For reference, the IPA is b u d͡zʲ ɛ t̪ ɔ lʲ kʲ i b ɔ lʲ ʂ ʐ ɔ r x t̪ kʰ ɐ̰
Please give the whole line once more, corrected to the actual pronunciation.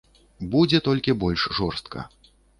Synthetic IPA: b u d͡zʲ ɛ t̪ ɔ lʲ kʲ i b ɔ lʲ ʂ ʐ ɔ r s t̪ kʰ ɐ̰

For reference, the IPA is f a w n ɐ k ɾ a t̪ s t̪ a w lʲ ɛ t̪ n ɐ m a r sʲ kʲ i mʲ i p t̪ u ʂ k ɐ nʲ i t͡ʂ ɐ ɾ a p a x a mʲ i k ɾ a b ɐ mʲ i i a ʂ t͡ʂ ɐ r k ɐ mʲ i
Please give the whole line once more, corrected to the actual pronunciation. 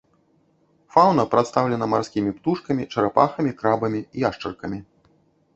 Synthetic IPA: f a w n ɐ p ɾ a t̪ s t̪ a w lʲ ɛ n ɐ m a r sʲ kʲ i mʲ i p t̪ u ʂ k ɐ mʲ i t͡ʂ ɐ ɾ a p a x ɐ mʲ i k ɾ a b ɐ mʲ i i a ʂ t͡ʂ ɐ r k ɐ mʲ i

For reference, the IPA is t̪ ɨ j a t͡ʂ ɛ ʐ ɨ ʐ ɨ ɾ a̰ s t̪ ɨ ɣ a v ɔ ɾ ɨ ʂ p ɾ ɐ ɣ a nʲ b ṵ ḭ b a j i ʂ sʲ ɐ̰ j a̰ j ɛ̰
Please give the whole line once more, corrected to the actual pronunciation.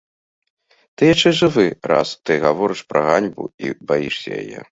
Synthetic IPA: t̪ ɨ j a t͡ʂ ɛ ʐ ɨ v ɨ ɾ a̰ s t̪ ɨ ɣ a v ɔ ɾ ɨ ʂ p ɾ ɐ ɣ a nʲ b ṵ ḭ b a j i ʂ sʲ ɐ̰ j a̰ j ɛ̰

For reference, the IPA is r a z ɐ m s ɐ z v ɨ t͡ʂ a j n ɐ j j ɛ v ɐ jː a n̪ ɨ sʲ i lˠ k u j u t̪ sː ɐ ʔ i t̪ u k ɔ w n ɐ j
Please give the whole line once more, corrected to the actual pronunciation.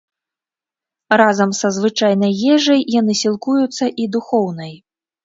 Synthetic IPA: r a z ɐ m s ɐ z v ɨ t͡ʂ a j n ɐ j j ɛ ʐ ɐ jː a n̪ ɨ sʲ i lˠ k u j u t̪ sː ɐ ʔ i d̪ u x ɔ w n ɐ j

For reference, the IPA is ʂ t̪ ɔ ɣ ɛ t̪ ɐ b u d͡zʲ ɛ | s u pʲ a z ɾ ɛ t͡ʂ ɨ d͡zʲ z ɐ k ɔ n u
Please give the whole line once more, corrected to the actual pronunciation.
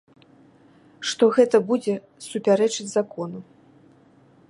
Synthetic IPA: ʂ t̪ ɔ ɣ ɛ t̪ ɐ b u d͡zʲ ɛ | s u pʲ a ɾ ɛ t͡ʂ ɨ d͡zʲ z a k ɔ n u

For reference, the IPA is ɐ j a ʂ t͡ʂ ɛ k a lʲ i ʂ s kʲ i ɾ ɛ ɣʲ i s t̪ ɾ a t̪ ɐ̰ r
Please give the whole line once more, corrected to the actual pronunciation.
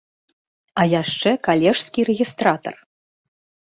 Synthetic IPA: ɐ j a ʂ t͡ʂ ɛ k a lʲ ɛ ʂ s kʲ i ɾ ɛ ɣʲ i s t̪ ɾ a t̪ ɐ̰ r

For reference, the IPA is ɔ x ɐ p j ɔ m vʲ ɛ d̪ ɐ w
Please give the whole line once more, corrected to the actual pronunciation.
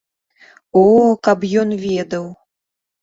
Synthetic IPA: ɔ k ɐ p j ɔ n vʲ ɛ d̪ ɐ w

